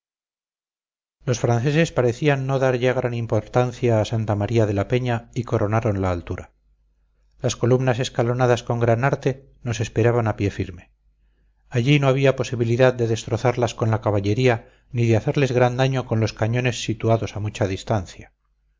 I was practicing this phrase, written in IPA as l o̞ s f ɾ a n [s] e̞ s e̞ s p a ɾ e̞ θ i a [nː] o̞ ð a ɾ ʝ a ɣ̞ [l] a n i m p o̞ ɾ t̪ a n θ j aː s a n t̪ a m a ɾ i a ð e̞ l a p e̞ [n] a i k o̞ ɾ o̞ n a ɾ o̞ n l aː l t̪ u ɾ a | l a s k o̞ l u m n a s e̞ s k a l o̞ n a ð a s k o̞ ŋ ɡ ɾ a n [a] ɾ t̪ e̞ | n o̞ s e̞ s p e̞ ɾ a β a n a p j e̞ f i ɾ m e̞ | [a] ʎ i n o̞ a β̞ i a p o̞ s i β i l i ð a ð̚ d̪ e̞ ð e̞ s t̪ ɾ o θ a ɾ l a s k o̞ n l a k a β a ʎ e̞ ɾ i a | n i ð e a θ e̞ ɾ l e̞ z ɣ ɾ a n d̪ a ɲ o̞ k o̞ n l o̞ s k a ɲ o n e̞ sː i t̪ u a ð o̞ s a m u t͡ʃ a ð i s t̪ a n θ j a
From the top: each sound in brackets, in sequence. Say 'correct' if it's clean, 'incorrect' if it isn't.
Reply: incorrect: θ, correct, incorrect: ɾ, incorrect: ɲ, correct, correct

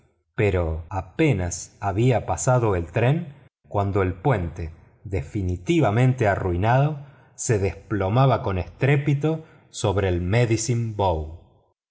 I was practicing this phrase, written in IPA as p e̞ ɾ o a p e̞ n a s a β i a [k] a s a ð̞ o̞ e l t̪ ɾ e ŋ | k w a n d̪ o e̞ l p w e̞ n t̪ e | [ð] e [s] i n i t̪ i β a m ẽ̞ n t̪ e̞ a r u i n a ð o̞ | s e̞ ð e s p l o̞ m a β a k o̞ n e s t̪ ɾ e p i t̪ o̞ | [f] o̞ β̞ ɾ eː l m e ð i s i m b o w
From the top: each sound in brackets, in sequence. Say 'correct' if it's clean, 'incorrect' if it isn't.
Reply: incorrect: p, correct, incorrect: f, incorrect: s

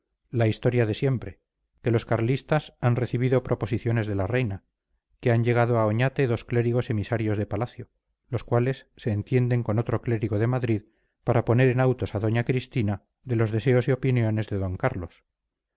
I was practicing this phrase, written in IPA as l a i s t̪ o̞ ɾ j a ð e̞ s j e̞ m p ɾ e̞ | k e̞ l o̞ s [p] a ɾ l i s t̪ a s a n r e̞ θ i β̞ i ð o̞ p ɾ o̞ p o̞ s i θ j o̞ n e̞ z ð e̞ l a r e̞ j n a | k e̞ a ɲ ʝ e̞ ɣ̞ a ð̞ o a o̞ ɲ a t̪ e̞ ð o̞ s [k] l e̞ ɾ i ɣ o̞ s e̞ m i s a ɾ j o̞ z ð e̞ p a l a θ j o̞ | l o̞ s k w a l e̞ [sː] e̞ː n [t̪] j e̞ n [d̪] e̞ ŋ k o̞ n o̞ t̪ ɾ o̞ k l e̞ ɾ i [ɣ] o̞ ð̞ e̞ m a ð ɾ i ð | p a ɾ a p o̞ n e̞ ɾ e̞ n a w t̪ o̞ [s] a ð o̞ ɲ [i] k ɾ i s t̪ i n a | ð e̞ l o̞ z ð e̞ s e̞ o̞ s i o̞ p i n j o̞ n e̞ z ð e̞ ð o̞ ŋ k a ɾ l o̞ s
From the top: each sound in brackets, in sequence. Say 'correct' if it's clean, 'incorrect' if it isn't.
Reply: incorrect: k, correct, correct, correct, correct, correct, correct, incorrect: a

